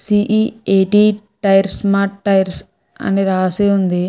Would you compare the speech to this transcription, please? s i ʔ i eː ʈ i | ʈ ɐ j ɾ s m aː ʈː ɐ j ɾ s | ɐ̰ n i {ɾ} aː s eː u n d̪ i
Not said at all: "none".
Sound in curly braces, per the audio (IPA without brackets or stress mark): ɾ